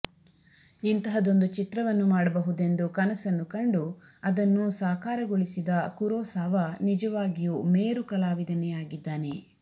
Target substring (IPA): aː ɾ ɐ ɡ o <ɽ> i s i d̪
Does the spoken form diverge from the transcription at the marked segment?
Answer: yes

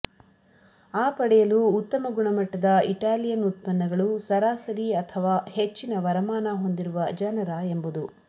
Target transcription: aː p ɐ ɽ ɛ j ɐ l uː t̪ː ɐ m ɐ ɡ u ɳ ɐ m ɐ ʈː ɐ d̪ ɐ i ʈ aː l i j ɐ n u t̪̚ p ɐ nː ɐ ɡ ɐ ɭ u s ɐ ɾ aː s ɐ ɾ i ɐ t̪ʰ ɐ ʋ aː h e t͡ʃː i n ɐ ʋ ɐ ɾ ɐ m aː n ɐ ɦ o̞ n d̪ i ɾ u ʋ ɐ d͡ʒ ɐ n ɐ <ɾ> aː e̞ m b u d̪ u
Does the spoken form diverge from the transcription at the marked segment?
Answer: no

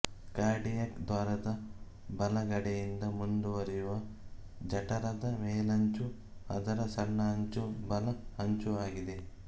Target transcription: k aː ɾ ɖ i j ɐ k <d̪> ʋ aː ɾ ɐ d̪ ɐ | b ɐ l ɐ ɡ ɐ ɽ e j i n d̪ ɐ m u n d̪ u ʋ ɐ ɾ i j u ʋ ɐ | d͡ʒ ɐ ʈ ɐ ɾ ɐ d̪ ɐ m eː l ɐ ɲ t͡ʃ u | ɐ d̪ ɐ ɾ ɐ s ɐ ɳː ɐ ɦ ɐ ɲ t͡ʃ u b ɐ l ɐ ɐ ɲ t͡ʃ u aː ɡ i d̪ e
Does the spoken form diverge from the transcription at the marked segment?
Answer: no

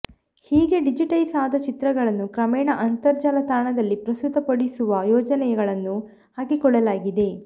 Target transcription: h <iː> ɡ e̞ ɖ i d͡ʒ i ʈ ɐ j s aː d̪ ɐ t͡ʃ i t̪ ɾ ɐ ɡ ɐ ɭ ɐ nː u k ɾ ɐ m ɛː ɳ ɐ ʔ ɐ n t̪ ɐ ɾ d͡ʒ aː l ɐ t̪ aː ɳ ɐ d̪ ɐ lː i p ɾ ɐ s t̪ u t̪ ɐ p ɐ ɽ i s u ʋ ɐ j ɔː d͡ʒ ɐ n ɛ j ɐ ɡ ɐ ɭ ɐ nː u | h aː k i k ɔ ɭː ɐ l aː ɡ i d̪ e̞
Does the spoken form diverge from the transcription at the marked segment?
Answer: no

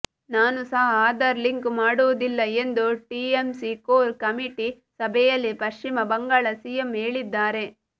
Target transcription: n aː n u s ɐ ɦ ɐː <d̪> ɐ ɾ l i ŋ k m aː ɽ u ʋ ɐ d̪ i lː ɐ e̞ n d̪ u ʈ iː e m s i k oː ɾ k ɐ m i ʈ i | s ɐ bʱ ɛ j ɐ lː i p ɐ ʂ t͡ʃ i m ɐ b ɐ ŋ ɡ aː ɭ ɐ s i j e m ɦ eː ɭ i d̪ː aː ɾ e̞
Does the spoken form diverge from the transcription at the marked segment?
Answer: no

